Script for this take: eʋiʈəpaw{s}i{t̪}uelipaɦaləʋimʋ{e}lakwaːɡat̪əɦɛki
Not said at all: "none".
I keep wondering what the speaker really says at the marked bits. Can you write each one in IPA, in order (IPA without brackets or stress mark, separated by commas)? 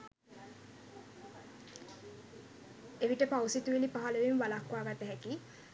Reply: s, t̪, a